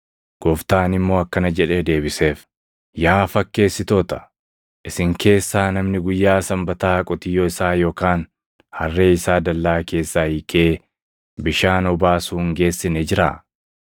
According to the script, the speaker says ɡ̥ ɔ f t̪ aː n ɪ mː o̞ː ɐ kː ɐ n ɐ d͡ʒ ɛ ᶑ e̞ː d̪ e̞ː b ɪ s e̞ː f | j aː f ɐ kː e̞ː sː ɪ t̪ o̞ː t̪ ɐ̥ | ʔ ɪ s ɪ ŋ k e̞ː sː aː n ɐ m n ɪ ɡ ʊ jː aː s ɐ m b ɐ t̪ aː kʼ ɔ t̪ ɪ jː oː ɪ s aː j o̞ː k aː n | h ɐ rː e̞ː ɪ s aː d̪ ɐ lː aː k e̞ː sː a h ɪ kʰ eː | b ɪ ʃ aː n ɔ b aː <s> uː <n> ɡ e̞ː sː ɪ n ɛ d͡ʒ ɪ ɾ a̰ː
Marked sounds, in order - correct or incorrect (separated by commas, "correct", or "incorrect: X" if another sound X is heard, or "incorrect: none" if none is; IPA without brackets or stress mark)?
correct, incorrect: ŋ